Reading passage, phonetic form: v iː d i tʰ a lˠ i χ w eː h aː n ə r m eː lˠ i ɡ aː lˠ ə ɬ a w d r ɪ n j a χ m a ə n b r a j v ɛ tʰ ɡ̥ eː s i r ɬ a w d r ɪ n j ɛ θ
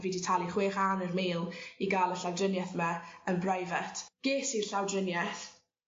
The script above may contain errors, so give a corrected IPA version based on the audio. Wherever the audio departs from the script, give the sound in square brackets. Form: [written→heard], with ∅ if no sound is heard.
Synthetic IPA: v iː d i tʰ a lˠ i χ w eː [h→χ] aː n ə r m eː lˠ i ɡ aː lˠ ə ɬ a w d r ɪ n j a [χ→θ] m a ə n b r a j v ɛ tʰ ɡ̥ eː s i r ɬ a w d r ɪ n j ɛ θ

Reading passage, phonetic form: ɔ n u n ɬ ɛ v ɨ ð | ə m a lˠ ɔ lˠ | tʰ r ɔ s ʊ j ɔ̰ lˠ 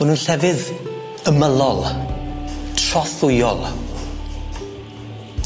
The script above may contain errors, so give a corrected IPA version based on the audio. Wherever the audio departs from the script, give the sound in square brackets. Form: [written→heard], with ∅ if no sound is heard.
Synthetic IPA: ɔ n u n ɬ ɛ v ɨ ð | ə m [a→ə] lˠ ɔ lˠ | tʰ r ɔ [s→θ] ʊ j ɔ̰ lˠ

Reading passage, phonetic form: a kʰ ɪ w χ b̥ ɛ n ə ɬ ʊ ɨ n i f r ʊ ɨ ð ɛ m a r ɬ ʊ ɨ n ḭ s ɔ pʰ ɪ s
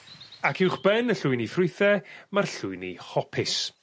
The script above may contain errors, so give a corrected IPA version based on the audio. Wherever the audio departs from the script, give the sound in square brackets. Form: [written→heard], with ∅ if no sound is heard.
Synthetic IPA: a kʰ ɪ w χ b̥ ɛ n ə ɬ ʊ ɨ n i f r ʊ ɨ [ð→θ] ɛ m a r ɬ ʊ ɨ n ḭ [s→h] ɔ pʰ ɪ s

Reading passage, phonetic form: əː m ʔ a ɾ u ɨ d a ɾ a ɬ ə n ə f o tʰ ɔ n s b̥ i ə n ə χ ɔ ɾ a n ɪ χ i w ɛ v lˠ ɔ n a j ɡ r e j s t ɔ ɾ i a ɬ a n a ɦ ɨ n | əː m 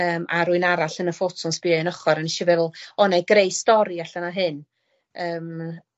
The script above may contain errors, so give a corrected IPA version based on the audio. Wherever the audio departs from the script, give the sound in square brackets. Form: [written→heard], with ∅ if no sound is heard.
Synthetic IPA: əː m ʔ a ɾ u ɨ [d→n] a ɾ a ɬ ə n ə f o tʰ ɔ n s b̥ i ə n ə χ ɔ ɾ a n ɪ [χ→ʃ] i [w→v] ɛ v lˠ ɔ n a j ɡ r e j s t ɔ ɾ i a ɬ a n a ɦ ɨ n | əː m

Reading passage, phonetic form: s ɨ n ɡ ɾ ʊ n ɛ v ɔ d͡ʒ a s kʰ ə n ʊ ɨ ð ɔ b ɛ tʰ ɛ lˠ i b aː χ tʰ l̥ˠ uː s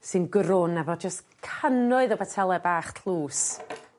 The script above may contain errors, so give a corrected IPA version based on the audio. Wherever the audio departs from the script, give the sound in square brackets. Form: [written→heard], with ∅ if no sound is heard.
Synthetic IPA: s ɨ n ɡ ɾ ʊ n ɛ v ɔ d͡ʒ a s kʰ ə n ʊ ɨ ð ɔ b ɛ tʰ ɛ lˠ [i→ɛ] b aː χ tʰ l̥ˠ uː s

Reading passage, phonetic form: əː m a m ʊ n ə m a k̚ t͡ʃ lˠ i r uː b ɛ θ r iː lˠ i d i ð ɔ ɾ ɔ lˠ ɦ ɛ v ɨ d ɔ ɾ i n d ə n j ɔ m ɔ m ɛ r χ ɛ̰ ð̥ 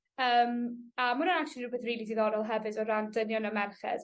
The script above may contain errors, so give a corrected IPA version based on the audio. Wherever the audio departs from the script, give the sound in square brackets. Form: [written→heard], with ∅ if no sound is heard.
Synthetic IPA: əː m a m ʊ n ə [m→n] a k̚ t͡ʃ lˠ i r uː b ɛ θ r iː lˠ i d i ð ɔ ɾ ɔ lˠ ɦ ɛ v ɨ d ɔ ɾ [i→a] n d ə n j ɔ [m→n] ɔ m ɛ r χ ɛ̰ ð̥

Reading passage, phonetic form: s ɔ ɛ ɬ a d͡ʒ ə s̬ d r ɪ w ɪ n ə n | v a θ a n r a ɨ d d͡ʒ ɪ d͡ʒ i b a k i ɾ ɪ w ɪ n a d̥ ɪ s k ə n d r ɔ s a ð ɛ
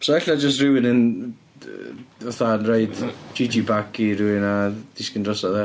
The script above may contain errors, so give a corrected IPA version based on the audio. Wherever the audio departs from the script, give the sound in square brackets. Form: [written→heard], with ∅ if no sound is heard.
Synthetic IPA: s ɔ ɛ ɬ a d͡ʒ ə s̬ [d→t] r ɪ w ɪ n ə n | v a θ a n r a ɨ d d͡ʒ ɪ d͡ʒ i b a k i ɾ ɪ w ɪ n a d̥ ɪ s k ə n d r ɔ s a ð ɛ

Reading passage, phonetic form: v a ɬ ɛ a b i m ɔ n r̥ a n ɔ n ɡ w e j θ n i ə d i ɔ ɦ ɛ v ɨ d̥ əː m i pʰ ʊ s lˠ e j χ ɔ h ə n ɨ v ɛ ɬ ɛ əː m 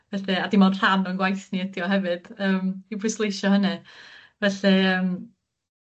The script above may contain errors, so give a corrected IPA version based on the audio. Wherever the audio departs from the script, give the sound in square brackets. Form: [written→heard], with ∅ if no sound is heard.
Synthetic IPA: v [a→ɛ] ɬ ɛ a [b→d] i m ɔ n r̥ a n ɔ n ɡ w [e→a] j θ n i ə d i ɔ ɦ ɛ v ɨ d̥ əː m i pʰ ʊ s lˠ e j [χ→ʃ] ɔ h ə n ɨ v ɛ ɬ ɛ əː m

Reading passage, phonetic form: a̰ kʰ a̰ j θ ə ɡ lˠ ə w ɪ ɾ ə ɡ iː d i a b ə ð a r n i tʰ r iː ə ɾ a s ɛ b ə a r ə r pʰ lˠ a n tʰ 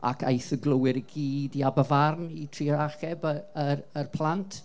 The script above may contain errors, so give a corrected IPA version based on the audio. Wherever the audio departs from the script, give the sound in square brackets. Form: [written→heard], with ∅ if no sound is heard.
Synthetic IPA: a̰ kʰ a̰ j θ ə ɡ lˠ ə w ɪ ɾ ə ɡ iː d i a b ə [ð→v] a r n i tʰ r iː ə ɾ a [s→χ] ɛ b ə [a→ə] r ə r pʰ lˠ a n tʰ

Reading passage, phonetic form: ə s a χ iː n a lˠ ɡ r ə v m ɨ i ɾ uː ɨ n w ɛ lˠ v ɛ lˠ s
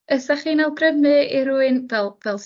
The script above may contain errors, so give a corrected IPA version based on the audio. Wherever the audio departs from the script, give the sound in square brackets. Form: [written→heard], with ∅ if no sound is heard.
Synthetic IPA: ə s a χ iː n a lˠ ɡ r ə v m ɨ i ɾ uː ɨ n [w→v] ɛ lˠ v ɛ lˠ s

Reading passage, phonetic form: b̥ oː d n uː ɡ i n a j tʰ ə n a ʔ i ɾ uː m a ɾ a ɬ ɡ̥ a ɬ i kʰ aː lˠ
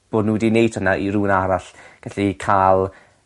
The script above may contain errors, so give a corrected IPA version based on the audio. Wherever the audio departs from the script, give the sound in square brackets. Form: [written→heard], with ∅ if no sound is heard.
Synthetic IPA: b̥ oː d n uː [ɡ→d] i n [a→e] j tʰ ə n a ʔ i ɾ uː [m→n] a ɾ a ɬ ɡ̥ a ɬ i kʰ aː lˠ

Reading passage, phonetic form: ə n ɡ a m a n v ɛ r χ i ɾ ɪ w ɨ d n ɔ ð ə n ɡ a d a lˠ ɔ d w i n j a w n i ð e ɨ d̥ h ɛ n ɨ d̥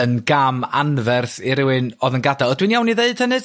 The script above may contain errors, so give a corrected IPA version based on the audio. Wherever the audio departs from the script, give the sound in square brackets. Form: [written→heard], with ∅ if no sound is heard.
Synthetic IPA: ə n ɡ a m a n v ɛ r [χ→θ] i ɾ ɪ w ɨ [d→∅] n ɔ ð ə n ɡ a d a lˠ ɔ d w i n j a w n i ð e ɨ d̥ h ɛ n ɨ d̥

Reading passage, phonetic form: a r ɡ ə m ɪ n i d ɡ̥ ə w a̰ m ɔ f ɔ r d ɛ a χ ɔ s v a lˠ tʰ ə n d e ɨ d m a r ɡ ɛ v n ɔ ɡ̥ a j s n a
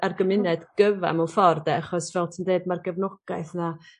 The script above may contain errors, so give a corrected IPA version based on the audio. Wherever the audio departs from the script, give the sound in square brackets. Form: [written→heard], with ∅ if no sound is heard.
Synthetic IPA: a r ɡ ə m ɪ n [i→ɛ] d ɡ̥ ə [w→v] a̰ m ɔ f ɔ r d ɛ a χ ɔ s v [a→ɛ] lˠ tʰ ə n d e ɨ d m a r ɡ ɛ v n ɔ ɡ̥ a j [s→θ] n a

